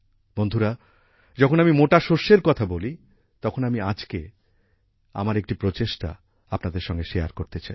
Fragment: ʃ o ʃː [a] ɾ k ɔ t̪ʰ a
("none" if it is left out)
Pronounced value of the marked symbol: e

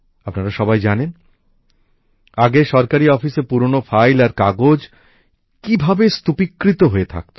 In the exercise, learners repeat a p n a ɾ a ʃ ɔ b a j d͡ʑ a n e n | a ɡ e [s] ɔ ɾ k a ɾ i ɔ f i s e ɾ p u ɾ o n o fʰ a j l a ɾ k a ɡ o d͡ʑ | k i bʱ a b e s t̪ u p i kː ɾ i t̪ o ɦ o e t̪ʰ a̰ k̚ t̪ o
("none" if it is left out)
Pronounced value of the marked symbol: ʃ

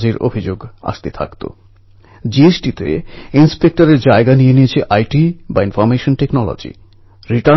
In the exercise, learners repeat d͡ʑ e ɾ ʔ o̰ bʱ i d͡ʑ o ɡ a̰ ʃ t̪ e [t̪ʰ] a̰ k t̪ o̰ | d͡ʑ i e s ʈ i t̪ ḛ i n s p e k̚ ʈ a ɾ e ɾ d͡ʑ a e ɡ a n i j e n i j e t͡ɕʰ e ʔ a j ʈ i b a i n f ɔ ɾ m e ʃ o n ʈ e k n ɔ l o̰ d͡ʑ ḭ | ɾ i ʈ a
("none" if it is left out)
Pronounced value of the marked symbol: t̪ʰ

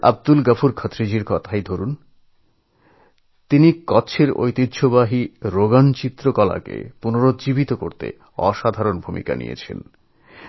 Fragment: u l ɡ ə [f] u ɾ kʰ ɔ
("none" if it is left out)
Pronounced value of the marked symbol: f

